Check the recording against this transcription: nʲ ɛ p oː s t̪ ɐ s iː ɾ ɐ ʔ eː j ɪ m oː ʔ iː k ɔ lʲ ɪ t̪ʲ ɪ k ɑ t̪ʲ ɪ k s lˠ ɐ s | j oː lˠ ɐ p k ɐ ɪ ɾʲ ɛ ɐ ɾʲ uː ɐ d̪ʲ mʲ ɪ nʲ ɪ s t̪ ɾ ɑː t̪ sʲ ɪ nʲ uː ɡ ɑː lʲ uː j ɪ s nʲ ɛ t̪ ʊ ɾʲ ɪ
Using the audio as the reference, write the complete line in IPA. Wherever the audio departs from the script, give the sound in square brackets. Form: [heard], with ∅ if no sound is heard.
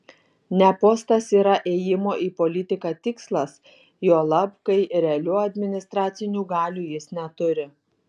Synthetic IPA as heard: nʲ ɛ p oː s t̪ ɐ s iː ɾ ɐ ʔ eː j ɪ m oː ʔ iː [p] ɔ lʲ ɪ t̪ʲ ɪ k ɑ t̪ʲ ɪ k s lˠ ɐ s | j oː lˠ ɐ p k ɐ ɪ ɾʲ ɛ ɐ [lʲ] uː ɐ d̪ʲ mʲ ɪ nʲ ɪ s t̪ ɾ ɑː t̪ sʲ ɪ nʲ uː ɡ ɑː lʲ uː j ɪ s nʲ ɛ t̪ ʊ ɾʲ ɪ

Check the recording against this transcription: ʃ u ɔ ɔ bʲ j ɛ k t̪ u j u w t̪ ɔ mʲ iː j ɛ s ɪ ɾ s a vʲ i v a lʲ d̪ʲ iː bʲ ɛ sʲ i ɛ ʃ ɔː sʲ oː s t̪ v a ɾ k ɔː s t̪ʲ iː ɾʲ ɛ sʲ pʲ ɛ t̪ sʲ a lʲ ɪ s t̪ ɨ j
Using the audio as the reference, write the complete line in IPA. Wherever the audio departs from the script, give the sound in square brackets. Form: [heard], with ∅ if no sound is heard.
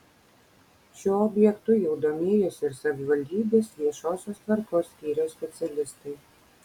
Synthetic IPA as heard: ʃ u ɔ ɔ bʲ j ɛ k t̪ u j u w [d̪] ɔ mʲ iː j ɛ s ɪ ɾ s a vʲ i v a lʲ d̪ʲ iː bʲ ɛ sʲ i ɛ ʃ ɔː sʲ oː s t̪ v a ɾ k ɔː s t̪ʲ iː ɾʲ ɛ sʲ pʲ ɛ t̪ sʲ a lʲ ɪ s t̪ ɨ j

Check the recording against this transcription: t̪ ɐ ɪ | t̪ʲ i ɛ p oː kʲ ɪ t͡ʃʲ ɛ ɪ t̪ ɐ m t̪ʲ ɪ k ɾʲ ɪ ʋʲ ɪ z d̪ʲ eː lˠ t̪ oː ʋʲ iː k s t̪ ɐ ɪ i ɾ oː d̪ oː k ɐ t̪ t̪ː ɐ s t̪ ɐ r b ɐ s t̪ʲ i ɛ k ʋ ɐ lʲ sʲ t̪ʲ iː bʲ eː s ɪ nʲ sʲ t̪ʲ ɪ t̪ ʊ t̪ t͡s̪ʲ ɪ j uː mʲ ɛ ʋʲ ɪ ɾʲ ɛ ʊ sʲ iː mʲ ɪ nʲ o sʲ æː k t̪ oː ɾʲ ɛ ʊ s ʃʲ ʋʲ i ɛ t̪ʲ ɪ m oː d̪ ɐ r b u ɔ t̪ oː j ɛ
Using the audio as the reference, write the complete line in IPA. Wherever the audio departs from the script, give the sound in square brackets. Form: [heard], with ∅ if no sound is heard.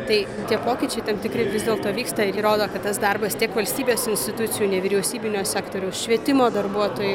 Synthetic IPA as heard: t̪ ɐ ɪ | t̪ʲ i ɛ p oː kʲ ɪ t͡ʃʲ ɛ ɪ t̪ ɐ m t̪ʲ ɪ k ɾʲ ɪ ʋʲ ɪ z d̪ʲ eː lˠ t̪ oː ʋʲ iː k s t̪ ɐ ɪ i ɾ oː d̪ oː k ɐ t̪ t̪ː ɐ s [d̪] ɐ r b ɐ s t̪ʲ i ɛ k ʋ ɐ lʲ sʲ t̪ʲ iː bʲ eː s ɪ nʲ sʲ t̪ʲ ɪ t̪ ʊ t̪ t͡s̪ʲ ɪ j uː [nʲ] ɛ ʋʲ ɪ ɾʲ ɛ ʊ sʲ iː [bʲ] ɪ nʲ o sʲ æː k t̪ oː ɾʲ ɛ ʊ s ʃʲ ʋʲ i ɛ t̪ʲ ɪ m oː d̪ ɐ r b u ɔ t̪ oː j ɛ

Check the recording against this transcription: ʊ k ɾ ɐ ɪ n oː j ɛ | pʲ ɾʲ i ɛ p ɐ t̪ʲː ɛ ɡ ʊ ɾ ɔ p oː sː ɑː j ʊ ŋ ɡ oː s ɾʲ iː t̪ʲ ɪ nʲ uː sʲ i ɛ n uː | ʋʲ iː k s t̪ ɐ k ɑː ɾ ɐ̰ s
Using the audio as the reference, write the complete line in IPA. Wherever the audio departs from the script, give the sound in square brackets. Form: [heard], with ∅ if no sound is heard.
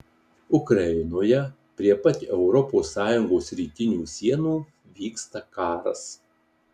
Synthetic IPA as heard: ʊ k ɾ ɐ ɪ n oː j ɛ | pʲ ɾʲ i ɛ p ɐ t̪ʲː ɛ [∅] ʊ ɾ ɔ p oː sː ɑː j ʊ ŋ ɡ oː s ɾʲ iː t̪ʲ ɪ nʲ uː sʲ i ɛ n uː | ʋʲ iː k s t̪ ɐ k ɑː ɾ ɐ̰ s

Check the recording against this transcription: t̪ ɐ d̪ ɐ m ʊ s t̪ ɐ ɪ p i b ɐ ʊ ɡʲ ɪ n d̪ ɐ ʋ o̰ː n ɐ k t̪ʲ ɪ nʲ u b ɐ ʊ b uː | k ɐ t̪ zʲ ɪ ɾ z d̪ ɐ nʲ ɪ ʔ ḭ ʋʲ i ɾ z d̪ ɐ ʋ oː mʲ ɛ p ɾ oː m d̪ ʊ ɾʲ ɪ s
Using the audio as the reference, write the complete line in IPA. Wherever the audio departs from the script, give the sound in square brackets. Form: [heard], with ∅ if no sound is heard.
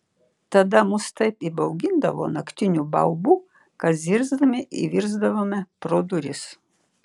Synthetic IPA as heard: t̪ ɐ d̪ ɐ m ʊ s t̪ ɐ ɪ p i b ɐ ʊ ɡʲ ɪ n d̪ ɐ ʋ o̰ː n ɐ k t̪ʲ ɪ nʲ u b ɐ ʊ b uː | k ɐ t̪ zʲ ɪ ɾ z d̪ ɐ [mʲ] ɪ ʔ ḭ ʋʲ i ɾ z d̪ ɐ ʋ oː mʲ ɛ p ɾ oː [∅] d̪ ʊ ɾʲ ɪ s

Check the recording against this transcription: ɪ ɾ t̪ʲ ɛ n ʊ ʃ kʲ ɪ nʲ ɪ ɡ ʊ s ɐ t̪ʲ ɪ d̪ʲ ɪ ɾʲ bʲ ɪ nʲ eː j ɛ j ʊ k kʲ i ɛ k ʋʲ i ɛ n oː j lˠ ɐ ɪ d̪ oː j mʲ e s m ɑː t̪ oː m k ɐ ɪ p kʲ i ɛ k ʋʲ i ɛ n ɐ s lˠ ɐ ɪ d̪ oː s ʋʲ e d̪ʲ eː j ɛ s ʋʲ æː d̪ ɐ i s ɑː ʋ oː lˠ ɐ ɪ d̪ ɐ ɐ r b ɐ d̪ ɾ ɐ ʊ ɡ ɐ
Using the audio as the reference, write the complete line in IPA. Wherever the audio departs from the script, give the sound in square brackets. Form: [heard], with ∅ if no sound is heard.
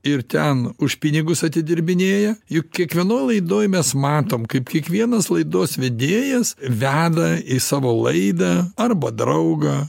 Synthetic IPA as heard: ɪ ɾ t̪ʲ ɛ n ʊ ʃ [pʲ] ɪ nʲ ɪ ɡ ʊ s ɐ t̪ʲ ɪ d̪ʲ ɪ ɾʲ bʲ ɪ nʲ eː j ɛ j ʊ k kʲ i ɛ k ʋʲ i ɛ n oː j lˠ ɐ ɪ d̪ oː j mʲ [ɛ] s m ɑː t̪ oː m k ɐ ɪ p kʲ i ɛ k ʋʲ i ɛ n ɐ s lˠ ɐ ɪ d̪ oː s ʋʲ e d̪ʲ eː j ɛ s ʋʲ æː d̪ ɐ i s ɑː ʋ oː lˠ ɐ ɪ d̪ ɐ ɐ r b ɐ d̪ ɾ ɐ ʊ ɡ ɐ

